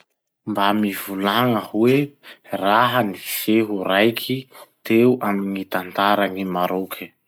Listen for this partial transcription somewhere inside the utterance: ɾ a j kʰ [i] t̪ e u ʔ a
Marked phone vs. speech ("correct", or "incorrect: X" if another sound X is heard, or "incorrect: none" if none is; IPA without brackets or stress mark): correct